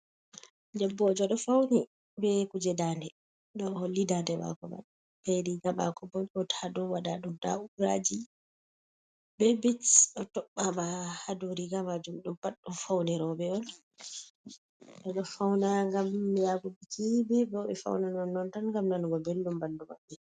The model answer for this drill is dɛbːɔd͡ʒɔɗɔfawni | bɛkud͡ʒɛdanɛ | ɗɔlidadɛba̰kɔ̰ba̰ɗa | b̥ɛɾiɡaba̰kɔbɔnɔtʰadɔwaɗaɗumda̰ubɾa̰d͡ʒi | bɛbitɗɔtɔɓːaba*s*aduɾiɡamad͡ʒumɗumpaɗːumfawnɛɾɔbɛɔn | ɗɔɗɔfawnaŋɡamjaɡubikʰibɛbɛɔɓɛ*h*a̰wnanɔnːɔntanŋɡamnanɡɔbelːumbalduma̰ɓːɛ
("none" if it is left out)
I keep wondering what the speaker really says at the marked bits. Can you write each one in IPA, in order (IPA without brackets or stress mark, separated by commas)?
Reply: h, f